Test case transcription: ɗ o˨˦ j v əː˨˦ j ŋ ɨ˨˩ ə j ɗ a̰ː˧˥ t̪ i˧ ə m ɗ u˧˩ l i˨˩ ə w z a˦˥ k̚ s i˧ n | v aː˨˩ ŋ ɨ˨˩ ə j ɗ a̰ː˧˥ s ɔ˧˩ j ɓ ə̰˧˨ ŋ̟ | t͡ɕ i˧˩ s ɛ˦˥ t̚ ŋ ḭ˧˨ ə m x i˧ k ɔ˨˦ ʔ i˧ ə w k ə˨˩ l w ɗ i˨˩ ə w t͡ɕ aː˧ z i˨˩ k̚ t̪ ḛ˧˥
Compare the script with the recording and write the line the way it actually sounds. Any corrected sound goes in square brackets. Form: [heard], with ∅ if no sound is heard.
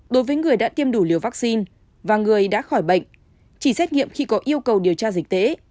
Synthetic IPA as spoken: ɗ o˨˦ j v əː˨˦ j ŋ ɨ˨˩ ə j ɗ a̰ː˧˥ t̪ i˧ ə m ɗ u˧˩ l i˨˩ ə w [v] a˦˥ k̚ s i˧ n | v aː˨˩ ŋ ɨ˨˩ ə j ɗ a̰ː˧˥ [x] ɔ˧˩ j ɓ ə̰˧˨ ŋ̟ | t͡ɕ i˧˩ s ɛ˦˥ t̚ ŋ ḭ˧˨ ə m x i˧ k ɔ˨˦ ʔ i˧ ə w k ə˨˩ [∅] w ɗ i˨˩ ə w t͡ɕ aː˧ z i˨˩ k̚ t̪ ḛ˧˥

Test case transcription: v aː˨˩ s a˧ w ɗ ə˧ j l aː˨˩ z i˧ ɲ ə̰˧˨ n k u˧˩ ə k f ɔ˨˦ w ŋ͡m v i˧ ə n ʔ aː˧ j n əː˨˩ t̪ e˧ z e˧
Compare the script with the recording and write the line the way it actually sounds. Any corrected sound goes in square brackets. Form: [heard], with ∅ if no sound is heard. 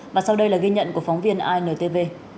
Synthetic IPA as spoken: v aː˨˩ s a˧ w ɗ ə˧ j l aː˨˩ [ɣ] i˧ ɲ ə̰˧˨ n k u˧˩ ə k f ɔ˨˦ w ŋ͡m v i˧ ə n ʔ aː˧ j n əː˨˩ t̪ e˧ [v] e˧

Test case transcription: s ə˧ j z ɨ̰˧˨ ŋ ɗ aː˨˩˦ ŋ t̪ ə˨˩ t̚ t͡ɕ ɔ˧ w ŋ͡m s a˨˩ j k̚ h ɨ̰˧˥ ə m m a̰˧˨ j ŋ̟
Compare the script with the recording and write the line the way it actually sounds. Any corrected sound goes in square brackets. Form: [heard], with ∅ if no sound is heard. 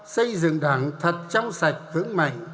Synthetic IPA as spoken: s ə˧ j z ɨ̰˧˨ ŋ ɗ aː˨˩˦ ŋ [t̪ʰ] ə˨˩ t̚ t͡ɕ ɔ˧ w ŋ͡m s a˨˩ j k̚ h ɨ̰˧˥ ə [ŋ] m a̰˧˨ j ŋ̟

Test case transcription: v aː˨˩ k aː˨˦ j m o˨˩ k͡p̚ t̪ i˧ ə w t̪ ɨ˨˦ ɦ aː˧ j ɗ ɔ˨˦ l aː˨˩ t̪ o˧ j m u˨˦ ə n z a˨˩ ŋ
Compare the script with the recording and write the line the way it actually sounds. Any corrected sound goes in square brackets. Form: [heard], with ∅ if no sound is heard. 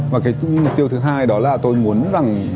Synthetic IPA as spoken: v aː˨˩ k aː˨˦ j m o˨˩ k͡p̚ t̪ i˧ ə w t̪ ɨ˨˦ ɦ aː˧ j ɗ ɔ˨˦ l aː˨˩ t̪ o˧ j m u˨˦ ə n z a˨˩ ŋ

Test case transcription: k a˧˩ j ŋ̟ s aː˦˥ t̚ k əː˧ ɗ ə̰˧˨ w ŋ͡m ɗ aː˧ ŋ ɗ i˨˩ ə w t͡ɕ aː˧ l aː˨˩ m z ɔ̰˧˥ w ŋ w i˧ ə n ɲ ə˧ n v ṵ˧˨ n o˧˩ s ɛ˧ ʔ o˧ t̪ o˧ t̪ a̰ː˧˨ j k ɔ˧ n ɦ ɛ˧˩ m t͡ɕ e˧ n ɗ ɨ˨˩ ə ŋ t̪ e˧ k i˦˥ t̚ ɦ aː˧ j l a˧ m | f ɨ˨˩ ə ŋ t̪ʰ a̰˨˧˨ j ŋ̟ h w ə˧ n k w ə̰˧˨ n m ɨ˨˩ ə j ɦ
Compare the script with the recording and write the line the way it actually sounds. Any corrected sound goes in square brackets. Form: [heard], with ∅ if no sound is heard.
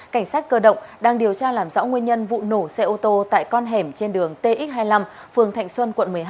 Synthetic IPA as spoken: k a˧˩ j ŋ̟ s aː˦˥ t̚ k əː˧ ɗ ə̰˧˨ w ŋ͡m ɗ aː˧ ŋ ɗ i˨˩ ə w t͡ɕ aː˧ l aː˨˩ m z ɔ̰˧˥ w ŋ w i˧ ə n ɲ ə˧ n v ṵ˧˨ n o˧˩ s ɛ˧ ʔ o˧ t̪ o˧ t̪ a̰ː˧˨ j k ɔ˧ n ɦ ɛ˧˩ m t͡ɕ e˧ n ɗ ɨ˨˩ ə ŋ t̪ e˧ [ʔ] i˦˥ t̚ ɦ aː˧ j l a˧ m | f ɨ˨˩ ə ŋ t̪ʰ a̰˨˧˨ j ŋ̟ [s] w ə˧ n k w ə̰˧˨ n m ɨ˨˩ ə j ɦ

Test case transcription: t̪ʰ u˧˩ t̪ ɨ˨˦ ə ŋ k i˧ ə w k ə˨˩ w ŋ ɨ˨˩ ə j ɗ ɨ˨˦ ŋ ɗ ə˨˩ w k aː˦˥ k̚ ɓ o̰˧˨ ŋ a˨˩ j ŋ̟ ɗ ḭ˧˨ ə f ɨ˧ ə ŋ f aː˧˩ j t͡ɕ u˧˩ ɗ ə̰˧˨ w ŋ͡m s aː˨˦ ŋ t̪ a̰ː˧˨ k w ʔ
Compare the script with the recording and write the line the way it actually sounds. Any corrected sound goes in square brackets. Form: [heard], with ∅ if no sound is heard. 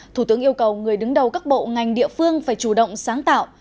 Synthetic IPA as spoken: t̪ʰ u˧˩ t̪ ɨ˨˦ ə ŋ [ʔ] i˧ ə w k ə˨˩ w ŋ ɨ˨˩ ə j ɗ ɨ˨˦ ŋ ɗ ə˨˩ w k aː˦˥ k̚ ɓ o̰˧˨ ŋ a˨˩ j ŋ̟ ɗ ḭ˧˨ ə f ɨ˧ ə ŋ f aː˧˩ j t͡ɕ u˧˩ ɗ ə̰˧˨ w ŋ͡m s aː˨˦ ŋ t̪ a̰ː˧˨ [∅] w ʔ

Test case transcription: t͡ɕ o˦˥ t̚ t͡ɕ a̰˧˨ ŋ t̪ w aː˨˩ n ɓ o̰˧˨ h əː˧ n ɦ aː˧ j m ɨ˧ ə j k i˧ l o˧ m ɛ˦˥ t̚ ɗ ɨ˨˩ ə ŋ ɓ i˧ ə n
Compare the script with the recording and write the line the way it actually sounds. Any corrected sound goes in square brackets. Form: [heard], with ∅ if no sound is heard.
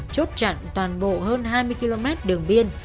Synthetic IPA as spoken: t͡ɕ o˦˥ t̚ t͡ɕ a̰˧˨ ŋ t̪ w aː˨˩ n ɓ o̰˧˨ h əː˧ n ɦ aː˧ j m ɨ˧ ə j k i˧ l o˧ m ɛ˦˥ t̚ ɗ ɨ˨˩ ə ŋ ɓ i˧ ə n

